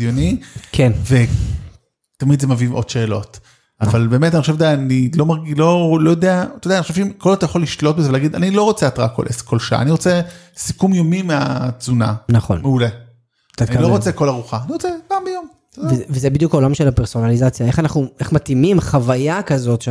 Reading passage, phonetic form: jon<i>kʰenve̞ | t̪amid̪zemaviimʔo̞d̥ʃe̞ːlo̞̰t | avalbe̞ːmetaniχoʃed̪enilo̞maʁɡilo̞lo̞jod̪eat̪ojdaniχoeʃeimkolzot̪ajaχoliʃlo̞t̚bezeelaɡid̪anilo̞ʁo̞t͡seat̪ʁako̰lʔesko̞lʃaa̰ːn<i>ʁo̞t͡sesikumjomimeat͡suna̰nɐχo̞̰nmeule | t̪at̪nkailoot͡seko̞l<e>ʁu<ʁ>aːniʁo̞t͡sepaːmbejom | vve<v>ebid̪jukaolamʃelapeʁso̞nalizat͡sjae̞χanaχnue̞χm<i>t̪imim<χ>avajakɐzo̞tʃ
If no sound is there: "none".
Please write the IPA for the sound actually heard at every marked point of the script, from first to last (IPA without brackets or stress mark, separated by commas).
i, i, a, χ, z, a, χ